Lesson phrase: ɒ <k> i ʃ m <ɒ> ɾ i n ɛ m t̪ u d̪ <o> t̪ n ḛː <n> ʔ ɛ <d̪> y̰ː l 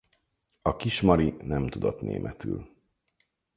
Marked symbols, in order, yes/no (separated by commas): yes, yes, yes, no, no